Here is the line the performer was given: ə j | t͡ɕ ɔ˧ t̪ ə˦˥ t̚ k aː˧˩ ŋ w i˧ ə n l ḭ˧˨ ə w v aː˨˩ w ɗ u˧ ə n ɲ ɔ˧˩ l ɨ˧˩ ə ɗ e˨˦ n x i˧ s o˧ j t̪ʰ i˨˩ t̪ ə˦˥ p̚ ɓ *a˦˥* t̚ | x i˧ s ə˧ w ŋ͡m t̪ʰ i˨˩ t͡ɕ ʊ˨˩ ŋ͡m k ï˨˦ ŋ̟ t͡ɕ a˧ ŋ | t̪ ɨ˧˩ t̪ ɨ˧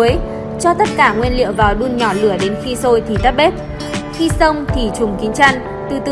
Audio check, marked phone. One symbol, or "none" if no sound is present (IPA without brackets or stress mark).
e˦˥